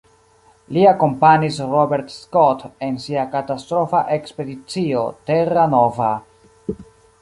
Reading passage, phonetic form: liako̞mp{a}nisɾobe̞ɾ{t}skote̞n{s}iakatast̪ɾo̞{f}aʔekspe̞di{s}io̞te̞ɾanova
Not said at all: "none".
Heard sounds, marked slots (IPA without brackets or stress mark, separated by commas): a, t, s, f, t͡s